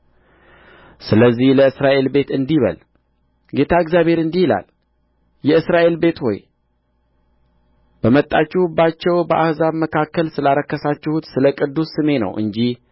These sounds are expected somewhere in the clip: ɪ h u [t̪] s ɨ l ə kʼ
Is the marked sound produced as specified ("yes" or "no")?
yes